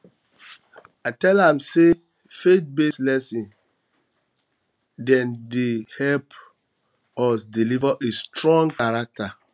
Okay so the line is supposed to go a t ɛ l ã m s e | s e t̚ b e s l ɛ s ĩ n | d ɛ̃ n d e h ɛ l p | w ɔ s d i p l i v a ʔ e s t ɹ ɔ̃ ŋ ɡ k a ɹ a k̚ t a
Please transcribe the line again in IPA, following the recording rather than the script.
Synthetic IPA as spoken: a t ɛ l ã m s e | f e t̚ b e s l ɛ s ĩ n | d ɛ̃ n d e h ɛ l p | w ɔ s d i l i v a ʔ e s t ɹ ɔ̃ ŋ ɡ k a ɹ a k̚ t a